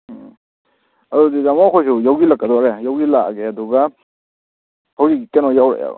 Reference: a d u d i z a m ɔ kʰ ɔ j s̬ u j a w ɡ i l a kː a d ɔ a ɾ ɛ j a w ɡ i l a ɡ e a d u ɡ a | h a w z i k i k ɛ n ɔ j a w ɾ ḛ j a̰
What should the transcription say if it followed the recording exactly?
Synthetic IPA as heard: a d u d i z a m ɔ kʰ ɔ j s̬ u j a w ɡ i l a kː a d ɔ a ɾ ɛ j a w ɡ i l a ɡ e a d u ɡ a | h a w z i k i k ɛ n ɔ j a w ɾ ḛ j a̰

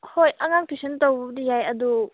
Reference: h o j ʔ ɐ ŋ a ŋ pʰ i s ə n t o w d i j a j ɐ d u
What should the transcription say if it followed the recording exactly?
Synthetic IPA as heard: h o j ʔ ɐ ŋ a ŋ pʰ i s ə n t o w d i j a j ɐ d u

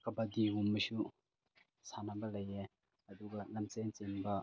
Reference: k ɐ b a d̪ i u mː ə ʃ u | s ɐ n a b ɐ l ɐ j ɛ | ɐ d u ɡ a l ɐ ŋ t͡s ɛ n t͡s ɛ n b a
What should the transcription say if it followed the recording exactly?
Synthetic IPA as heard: k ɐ b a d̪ i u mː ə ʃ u | s a n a b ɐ l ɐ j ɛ | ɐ d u ɡ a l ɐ m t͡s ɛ n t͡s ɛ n b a

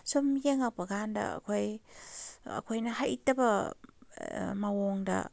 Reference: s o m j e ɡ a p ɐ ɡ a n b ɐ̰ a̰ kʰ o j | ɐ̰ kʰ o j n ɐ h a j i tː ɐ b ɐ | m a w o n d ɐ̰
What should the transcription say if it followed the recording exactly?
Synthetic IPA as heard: s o m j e ŋ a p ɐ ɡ a n d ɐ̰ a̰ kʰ o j | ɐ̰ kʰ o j n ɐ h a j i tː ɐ b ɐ | m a w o ŋ d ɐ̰

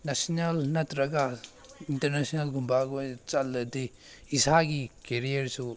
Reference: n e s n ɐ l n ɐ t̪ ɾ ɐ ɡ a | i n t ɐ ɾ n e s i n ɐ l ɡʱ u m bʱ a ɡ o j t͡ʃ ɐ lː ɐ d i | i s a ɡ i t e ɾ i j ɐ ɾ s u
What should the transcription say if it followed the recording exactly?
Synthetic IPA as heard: n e s n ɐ l n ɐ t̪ ɾ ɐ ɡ a | i n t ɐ ɾ n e s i n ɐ l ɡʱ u m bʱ a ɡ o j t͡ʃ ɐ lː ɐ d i | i s a ɡ i k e ɾ i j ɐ ɾ s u

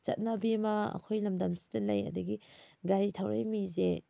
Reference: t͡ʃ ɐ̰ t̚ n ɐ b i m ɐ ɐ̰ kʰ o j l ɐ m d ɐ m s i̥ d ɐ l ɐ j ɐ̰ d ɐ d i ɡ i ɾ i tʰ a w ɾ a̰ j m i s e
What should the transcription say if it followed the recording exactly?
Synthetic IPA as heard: t͡ʃ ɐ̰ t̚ n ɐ b i m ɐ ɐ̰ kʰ o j l ɐ m d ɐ m s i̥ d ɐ l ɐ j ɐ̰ d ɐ ɡ i ɡ a ɾ i tʰ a w ɾ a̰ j m i z e

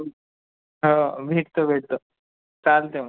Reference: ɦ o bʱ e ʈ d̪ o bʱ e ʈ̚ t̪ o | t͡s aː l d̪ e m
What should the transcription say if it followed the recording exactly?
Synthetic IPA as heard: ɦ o bʱ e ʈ t̪ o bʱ e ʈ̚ t̪ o | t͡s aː l t̪ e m

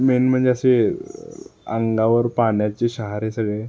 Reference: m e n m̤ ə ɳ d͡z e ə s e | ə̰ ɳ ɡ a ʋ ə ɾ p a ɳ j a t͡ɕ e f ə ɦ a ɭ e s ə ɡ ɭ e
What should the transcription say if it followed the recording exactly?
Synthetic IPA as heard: m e n m̤ ə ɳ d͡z e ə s e | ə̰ ŋ ɡ a ʋ ə ɾ p a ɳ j a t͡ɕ e ɕ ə ɦ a ɾ e s ə ɡ ɭ e

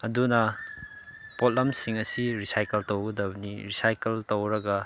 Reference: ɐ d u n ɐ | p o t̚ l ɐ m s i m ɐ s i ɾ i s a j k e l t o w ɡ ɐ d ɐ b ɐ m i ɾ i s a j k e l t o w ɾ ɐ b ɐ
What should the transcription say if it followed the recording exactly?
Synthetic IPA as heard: ɐ d u n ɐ | p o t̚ l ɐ m s i ŋ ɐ s i ɾ i s a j k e l t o w ɡ ɐ d ɐ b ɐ n i ɾ i s a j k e l t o w ɾ ɐ ɡ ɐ

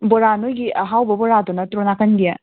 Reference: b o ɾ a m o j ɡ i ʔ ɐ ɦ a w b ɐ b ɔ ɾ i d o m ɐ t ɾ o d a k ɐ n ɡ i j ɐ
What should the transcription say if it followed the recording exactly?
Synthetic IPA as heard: b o ɾ a n o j ɡ i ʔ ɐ ɦ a w b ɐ b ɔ ɾ a d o n ɐ t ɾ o n a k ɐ n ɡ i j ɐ

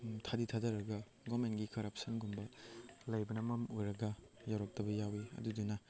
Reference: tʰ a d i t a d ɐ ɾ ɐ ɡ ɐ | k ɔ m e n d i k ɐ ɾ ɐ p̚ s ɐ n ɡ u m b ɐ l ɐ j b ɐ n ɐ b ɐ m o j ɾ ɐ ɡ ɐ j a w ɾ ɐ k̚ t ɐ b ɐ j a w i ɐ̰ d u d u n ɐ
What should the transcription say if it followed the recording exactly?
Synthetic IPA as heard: tʰ a d i tʰ a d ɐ ɾ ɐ ɡ ɐ | ɡ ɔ m e n ɡ i k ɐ ɾ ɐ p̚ s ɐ n ɡ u m b ɐ l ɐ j b ɐ n ɐ m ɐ m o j ɾ ɐ ɡ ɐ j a w ɾ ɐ k̚ t ɐ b ɐ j a w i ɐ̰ d u d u n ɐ

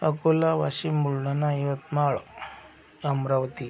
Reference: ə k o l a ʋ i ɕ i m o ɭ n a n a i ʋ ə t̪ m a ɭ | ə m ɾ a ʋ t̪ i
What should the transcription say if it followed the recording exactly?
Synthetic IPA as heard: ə k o l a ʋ a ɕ i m u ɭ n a n a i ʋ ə t̪ m a ɭ | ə m ɾ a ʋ t̪ i

